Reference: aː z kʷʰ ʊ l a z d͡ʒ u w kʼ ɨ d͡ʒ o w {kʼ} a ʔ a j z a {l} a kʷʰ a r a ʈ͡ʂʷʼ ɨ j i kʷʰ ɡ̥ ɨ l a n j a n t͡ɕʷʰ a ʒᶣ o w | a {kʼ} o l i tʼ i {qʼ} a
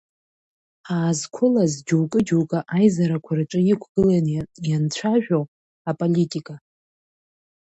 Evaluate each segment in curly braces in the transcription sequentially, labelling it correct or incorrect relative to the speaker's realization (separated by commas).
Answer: correct, incorrect, incorrect, incorrect